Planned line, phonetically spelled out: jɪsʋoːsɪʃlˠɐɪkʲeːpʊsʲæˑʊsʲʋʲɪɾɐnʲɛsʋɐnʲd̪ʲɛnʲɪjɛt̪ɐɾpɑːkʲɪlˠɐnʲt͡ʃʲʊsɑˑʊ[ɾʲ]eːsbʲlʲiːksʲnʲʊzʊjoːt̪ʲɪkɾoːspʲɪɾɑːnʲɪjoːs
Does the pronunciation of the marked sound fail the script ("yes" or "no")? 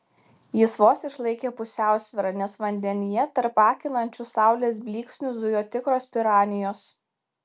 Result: yes